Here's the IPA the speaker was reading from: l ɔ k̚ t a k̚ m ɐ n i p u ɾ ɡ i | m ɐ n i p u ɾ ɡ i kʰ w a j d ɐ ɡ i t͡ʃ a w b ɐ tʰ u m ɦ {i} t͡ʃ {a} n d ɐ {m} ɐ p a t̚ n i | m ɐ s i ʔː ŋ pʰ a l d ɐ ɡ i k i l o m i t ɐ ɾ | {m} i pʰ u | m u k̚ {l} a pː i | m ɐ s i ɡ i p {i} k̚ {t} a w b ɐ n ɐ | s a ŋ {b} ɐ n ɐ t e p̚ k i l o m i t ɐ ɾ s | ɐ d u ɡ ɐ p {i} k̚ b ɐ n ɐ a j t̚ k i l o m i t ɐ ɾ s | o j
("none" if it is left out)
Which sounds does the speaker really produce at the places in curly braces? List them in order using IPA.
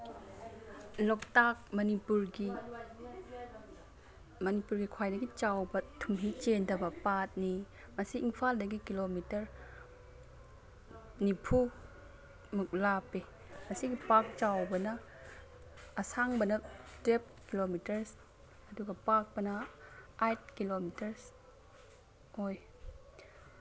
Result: i, e, b, n, l, a, t͡ʃ, b, a

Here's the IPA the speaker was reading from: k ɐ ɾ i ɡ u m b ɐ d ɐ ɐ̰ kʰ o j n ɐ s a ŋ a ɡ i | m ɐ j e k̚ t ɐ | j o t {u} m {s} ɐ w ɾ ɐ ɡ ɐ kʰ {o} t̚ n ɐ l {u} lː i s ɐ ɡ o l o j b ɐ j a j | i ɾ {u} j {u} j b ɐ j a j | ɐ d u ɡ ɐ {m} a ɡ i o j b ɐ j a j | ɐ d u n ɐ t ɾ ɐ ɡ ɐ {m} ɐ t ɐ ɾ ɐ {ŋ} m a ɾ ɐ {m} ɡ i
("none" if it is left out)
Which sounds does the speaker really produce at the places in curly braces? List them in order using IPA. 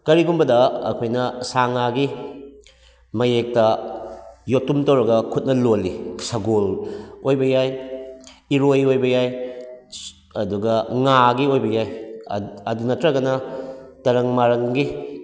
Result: u, t, u, o, o, o, ŋ, n, ŋ, ŋ

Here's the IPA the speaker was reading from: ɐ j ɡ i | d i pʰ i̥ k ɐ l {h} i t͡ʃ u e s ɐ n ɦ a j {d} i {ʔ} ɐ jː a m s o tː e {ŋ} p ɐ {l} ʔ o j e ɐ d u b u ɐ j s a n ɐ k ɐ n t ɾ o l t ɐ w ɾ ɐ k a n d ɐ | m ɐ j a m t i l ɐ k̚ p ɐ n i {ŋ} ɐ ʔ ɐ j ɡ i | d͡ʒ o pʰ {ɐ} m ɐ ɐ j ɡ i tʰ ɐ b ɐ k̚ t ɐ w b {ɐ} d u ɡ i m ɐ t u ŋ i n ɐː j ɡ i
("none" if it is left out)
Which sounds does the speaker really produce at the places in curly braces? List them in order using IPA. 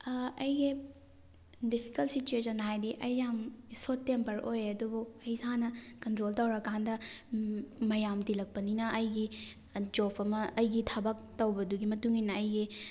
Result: s, d, ʔ, m, ɾ, n, ɐ, ɐ

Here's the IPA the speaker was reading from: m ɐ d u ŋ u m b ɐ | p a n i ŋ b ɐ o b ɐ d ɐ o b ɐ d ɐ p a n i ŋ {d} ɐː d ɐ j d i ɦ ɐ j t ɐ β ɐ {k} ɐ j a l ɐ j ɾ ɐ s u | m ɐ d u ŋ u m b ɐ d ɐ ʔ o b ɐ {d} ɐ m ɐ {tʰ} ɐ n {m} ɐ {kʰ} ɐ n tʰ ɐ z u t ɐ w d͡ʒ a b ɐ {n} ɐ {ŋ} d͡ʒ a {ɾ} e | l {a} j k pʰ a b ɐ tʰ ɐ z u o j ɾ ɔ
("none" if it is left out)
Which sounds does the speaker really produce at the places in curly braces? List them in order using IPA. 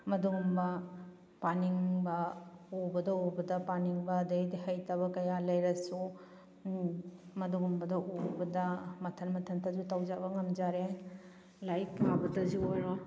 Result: b, k, d, tʰ, m, tʰ, ŋ, m, ɾ, a

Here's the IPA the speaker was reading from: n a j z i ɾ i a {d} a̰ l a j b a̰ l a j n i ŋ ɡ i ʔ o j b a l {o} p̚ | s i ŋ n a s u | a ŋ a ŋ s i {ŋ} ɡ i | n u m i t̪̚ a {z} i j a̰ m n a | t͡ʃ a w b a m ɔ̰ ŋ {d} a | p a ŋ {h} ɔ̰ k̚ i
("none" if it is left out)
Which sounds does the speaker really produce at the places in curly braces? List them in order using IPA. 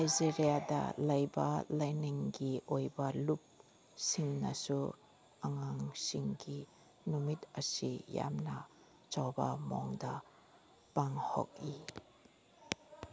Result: d, u, ŋ, s, d, h

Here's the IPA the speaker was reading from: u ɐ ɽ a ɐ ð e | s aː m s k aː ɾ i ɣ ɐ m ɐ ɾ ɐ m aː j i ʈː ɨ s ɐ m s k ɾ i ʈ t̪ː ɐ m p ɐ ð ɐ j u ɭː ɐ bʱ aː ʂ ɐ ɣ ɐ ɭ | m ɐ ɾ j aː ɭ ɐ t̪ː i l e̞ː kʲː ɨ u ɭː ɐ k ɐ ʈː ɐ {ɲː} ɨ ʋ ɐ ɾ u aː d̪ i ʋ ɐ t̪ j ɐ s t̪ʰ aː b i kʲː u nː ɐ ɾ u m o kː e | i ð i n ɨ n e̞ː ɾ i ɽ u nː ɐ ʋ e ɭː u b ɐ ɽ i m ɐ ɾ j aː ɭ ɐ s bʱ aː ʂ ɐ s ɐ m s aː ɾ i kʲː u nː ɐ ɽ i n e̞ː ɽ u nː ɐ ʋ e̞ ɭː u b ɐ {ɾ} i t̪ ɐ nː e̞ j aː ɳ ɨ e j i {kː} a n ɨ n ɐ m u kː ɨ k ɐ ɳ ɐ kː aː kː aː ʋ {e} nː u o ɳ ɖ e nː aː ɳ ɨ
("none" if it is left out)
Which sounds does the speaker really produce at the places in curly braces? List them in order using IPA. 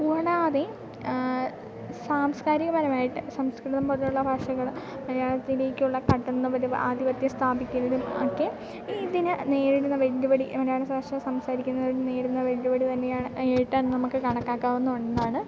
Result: nː, ɽ, ʈː, e

